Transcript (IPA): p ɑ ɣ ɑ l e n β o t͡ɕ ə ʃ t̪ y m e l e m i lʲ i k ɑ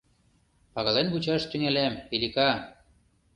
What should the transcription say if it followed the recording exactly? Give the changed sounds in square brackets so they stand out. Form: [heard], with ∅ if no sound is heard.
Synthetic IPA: p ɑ ɣ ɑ l e n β [u] t͡ɕ [ɑ] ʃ t̪ y [ŋ] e l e m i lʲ i k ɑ